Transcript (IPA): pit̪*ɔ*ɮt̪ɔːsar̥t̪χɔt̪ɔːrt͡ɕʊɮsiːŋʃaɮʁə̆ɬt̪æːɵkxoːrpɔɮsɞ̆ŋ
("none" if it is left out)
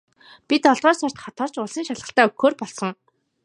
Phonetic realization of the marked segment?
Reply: ɔ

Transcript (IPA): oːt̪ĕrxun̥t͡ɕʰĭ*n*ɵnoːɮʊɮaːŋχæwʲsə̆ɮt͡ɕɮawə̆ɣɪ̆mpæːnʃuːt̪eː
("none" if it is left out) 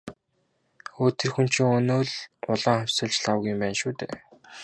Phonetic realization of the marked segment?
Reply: ŋ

